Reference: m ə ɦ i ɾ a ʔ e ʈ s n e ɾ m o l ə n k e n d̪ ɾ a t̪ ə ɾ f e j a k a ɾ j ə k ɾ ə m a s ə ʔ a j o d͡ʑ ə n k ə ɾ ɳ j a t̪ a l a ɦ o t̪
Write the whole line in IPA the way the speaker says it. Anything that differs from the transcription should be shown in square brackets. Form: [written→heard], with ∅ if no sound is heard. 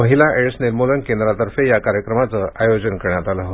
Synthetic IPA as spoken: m ə ɦ i [ɾ→l] a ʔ e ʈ s n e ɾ m o l ə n k e n d̪ ɾ a t̪ ə ɾ f e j a k a ɾ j ə k ɾ ə m a [s→t͡s] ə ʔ a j o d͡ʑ ə n k ə ɾ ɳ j a t̪ a l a ɦ o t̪